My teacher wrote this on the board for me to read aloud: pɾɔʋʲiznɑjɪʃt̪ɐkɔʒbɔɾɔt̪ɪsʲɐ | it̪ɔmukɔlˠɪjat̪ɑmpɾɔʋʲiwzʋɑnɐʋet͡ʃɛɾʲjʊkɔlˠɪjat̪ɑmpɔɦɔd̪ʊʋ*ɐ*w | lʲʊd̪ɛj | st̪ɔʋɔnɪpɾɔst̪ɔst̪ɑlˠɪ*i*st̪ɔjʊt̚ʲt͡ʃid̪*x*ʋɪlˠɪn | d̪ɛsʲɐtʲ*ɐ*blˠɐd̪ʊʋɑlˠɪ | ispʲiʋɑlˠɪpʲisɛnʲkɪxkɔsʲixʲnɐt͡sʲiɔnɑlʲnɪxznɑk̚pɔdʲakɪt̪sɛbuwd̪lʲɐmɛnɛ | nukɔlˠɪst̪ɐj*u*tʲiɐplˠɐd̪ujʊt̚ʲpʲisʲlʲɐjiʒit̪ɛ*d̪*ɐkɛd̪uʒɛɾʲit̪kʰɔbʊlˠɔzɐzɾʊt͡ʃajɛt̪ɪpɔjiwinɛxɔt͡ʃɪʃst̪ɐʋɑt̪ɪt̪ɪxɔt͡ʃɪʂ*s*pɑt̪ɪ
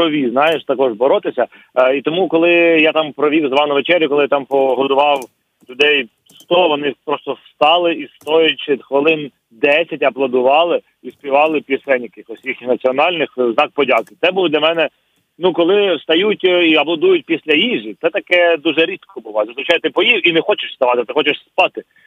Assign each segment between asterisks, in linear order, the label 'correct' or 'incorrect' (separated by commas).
incorrect, correct, correct, correct, correct, incorrect, correct